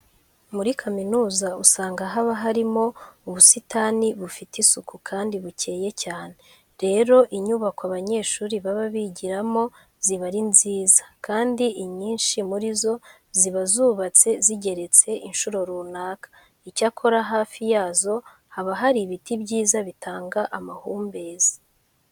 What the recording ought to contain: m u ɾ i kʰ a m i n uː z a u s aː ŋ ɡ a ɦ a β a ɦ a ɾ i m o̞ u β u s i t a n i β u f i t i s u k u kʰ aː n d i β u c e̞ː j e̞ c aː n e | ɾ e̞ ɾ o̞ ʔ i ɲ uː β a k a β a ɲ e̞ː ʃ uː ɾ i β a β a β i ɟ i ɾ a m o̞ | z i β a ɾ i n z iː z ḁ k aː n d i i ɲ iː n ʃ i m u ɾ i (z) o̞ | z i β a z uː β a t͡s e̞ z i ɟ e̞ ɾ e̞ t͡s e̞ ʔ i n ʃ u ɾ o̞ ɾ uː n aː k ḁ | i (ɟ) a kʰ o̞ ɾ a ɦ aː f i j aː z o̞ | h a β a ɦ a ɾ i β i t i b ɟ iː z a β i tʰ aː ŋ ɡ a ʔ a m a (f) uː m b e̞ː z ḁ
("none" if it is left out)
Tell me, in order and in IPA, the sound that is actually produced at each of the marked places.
z, c, h

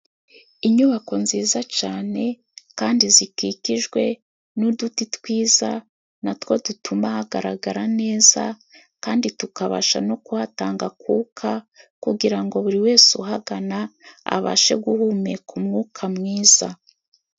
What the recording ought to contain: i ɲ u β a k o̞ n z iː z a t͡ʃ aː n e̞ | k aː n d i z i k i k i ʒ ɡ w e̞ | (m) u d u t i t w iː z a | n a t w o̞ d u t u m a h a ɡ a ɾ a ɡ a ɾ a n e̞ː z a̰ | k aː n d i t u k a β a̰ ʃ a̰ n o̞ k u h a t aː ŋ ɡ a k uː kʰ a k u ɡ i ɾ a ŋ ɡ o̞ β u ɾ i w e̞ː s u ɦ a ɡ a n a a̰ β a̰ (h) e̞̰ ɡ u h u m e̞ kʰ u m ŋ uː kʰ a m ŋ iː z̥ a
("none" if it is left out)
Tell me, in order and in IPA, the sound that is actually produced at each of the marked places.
n, ʃ

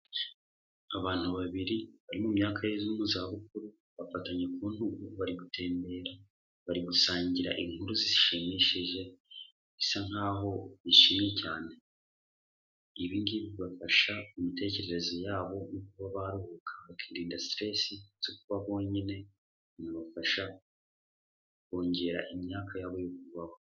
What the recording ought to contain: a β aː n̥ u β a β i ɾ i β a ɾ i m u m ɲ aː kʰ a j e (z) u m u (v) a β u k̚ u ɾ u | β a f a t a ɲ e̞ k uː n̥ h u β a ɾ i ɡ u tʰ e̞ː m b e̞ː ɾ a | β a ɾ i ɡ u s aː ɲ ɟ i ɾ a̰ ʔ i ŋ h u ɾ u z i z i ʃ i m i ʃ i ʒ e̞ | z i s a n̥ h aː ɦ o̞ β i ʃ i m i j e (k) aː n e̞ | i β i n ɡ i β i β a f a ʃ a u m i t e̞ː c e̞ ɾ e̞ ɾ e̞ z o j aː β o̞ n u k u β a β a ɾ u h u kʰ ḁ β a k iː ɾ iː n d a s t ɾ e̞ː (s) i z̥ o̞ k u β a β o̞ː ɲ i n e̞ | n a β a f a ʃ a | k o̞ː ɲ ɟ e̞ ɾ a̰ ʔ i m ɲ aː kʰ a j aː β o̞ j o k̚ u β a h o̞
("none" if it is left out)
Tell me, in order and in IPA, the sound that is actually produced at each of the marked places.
z, z, c, s

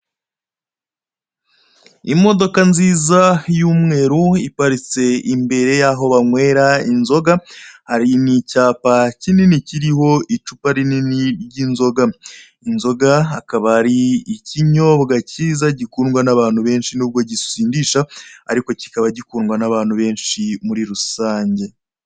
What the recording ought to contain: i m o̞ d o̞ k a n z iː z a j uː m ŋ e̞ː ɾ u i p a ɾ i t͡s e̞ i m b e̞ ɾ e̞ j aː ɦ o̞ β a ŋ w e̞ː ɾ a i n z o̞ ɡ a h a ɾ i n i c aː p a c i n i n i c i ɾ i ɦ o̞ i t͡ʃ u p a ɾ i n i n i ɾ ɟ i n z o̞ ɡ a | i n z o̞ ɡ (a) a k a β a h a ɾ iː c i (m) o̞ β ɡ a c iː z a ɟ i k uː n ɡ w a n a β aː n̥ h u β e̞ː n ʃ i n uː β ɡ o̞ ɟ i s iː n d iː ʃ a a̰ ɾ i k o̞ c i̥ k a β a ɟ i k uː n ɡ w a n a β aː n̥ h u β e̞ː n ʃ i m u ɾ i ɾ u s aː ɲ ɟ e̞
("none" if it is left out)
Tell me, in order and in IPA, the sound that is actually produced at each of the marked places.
a, ɲ

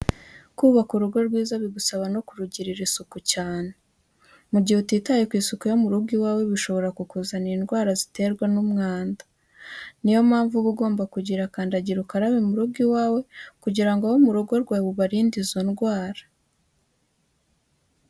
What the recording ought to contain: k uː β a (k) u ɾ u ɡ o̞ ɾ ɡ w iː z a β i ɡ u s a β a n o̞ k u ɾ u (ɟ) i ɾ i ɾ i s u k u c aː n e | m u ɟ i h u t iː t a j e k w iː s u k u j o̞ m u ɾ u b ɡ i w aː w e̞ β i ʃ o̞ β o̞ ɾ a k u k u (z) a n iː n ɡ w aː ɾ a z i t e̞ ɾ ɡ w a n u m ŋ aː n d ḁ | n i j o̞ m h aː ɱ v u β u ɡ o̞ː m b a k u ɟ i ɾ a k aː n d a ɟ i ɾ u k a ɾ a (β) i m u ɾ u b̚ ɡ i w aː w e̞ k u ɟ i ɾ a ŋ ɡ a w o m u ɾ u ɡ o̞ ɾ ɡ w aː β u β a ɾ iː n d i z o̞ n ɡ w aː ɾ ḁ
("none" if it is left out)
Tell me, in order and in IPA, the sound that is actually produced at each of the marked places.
k, ɟ, z, β

